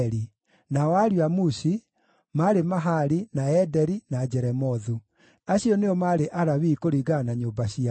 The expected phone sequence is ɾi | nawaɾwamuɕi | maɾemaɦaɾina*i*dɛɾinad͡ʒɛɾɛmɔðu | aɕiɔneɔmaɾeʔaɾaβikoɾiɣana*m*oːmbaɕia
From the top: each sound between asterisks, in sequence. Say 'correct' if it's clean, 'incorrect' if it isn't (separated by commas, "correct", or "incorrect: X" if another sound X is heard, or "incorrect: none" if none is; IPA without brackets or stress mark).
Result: incorrect: ɛ, incorrect: ɲ